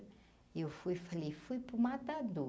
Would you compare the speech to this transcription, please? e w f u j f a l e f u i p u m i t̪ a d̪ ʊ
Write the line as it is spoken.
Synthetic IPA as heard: e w f u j f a l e f u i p u m a t̪ a d̪ u